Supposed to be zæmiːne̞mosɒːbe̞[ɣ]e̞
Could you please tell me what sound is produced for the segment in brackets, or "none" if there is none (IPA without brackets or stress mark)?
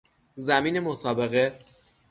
ɣ